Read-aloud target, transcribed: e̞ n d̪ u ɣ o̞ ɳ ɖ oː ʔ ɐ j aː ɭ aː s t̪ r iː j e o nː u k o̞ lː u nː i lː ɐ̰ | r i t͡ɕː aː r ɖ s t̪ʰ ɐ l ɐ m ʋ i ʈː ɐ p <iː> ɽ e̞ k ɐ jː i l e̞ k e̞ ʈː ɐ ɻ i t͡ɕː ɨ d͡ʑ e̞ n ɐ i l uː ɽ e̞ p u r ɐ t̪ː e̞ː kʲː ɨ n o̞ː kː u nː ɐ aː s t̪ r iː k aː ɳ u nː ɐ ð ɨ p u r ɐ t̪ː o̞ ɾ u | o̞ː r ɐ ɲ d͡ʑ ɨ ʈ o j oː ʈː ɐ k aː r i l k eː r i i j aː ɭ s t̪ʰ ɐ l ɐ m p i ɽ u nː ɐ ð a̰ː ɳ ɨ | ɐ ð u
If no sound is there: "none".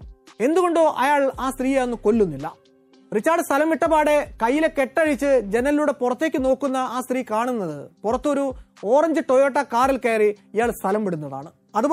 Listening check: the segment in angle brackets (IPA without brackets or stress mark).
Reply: aː